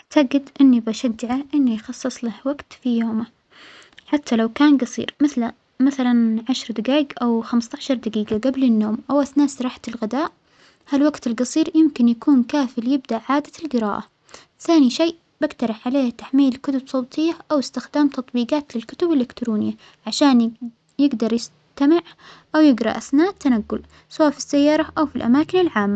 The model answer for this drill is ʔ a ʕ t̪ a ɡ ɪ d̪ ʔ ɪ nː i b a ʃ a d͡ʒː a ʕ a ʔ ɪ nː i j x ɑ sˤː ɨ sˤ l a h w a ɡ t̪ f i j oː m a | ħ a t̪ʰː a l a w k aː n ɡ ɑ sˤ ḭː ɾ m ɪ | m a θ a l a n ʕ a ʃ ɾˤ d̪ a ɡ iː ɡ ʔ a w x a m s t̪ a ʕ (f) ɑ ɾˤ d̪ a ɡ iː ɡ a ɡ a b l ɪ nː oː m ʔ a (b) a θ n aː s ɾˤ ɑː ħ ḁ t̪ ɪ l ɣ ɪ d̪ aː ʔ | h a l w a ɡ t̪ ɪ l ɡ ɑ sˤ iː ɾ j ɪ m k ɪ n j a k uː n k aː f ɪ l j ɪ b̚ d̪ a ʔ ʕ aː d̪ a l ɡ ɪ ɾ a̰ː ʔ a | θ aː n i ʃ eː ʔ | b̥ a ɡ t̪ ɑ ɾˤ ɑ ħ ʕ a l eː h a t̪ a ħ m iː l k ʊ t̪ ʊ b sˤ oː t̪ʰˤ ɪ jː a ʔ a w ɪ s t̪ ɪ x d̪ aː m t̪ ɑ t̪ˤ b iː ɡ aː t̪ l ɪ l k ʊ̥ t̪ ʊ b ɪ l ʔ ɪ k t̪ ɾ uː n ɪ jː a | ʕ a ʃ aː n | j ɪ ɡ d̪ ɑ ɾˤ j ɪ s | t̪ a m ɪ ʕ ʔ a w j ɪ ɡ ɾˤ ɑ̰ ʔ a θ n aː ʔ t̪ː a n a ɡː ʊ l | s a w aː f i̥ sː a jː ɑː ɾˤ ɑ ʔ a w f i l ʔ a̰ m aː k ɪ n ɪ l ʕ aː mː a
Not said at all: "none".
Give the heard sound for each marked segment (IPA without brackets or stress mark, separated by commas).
ʃ, w